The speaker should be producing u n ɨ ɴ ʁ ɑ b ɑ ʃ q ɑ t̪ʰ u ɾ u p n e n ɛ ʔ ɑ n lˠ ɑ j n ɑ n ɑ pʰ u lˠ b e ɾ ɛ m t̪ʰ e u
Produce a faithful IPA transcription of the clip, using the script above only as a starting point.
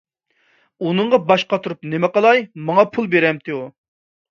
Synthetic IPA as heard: u n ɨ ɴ ʁ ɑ b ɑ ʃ q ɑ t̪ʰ u ɾ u p n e m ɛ q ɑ lˠ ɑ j m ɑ ŋ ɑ pʰ u lˠ b e ɾ ɛ m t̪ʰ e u